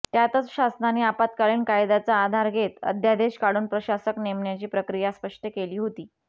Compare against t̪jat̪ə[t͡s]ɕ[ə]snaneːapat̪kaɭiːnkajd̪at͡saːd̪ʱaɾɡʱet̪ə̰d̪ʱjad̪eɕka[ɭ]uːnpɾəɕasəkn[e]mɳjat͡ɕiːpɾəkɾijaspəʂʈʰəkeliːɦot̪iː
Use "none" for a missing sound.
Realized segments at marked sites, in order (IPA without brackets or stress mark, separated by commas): t͡s, a, ɽ, e